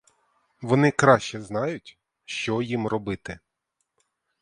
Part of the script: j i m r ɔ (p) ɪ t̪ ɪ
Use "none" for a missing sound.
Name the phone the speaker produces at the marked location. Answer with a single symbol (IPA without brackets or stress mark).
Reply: b